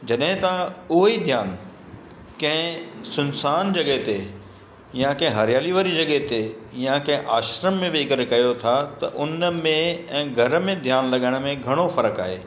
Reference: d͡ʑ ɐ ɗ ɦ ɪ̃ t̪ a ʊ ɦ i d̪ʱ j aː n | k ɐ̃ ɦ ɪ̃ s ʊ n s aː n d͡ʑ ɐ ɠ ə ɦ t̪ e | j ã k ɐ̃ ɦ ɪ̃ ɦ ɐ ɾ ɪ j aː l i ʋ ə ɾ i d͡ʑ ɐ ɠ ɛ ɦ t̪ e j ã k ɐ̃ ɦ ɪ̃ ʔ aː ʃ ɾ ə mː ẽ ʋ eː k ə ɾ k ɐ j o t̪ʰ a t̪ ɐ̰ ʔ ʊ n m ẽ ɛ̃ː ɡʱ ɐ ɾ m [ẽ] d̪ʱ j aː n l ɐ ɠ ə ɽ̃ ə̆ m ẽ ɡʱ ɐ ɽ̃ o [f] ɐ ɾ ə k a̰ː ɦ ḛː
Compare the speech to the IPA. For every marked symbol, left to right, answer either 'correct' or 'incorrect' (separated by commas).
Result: correct, correct